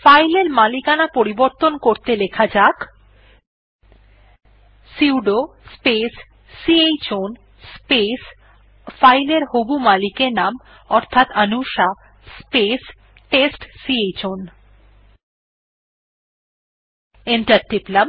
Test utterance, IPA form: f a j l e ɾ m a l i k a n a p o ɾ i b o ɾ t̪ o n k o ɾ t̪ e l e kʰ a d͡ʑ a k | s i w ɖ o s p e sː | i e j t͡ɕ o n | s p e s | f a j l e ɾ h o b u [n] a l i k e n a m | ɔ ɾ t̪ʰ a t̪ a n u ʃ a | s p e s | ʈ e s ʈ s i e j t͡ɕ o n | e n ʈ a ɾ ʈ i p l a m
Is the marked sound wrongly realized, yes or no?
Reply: yes